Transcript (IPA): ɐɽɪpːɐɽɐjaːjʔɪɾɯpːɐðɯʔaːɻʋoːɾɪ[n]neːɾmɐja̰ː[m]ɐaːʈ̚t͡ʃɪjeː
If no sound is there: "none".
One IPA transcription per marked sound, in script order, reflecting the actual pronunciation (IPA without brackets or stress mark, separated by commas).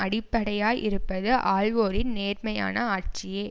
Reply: n, n